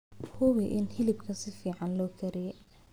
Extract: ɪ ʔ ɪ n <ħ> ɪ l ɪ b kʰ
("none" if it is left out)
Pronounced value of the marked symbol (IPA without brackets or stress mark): h